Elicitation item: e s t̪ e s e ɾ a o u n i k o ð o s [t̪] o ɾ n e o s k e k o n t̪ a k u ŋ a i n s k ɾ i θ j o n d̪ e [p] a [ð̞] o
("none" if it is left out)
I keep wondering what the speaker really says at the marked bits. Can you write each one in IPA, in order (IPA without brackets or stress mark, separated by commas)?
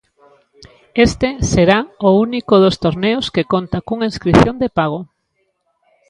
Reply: t̪, p, ɣ̞